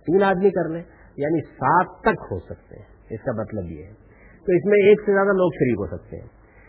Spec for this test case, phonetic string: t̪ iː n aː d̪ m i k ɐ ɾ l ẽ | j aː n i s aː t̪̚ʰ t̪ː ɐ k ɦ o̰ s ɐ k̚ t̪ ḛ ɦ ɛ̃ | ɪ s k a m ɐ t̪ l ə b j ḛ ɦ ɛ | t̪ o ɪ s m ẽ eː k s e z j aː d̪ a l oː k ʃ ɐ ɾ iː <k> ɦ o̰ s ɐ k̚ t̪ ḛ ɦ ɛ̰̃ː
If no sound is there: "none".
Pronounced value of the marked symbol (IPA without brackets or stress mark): k